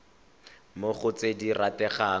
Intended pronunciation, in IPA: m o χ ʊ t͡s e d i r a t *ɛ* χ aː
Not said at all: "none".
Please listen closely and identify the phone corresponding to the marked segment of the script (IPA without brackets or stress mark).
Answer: ɛ